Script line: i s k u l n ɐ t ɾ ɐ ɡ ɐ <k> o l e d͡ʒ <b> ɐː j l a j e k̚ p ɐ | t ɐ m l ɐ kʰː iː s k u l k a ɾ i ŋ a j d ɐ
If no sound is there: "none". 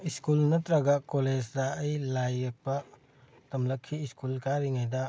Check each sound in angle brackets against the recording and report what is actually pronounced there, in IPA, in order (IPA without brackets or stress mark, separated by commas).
k, d